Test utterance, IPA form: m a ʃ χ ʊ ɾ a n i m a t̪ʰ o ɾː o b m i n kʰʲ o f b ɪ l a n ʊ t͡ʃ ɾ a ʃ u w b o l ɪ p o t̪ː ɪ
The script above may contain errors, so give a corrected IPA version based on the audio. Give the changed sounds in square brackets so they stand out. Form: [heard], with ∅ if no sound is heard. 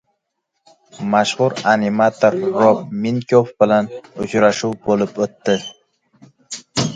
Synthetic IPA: m a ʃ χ ʊ ɾ a n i m a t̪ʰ o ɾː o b m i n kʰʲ o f b ɪ l a n ʊ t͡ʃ ɾ a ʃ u w b o l ɪ p o t̪ː ɪ